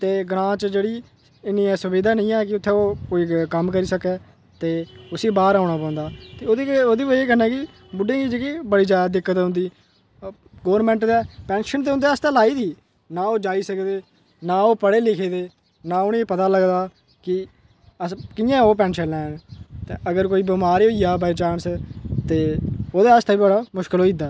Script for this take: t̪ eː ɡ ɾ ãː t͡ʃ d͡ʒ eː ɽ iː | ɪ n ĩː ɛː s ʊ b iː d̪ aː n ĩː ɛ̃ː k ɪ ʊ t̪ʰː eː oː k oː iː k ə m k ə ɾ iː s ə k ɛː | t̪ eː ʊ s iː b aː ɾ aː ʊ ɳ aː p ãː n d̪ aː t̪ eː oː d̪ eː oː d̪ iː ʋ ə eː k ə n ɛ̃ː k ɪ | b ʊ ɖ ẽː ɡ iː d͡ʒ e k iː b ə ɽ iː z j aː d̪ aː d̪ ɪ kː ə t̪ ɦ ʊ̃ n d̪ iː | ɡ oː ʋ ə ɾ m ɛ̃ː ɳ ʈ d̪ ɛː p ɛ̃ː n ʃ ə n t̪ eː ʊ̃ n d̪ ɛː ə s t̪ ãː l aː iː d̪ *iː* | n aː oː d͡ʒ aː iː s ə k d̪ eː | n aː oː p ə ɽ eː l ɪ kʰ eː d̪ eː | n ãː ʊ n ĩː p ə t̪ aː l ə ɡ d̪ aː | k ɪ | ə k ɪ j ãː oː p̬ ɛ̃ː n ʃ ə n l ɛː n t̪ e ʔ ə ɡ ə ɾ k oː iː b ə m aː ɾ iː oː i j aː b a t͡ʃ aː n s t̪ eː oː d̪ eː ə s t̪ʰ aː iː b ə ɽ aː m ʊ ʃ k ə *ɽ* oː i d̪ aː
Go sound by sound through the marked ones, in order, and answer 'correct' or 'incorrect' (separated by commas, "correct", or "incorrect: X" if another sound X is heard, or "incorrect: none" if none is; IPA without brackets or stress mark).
correct, incorrect: l